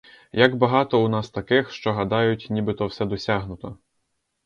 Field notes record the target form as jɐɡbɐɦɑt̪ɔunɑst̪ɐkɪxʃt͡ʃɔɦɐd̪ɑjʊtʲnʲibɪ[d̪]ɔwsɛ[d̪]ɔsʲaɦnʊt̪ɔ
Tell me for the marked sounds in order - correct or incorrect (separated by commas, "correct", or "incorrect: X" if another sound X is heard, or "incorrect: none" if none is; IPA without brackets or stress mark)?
incorrect: t̪, correct